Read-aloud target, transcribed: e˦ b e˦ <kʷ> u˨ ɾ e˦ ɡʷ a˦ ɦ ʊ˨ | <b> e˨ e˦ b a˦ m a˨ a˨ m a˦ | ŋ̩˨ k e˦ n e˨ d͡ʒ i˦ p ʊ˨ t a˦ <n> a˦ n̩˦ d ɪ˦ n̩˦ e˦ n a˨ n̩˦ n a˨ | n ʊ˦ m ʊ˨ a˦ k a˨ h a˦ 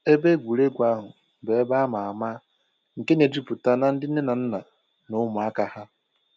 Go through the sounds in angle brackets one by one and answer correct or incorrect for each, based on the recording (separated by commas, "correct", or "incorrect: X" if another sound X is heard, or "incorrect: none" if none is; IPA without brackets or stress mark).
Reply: incorrect: ɡʷ, correct, correct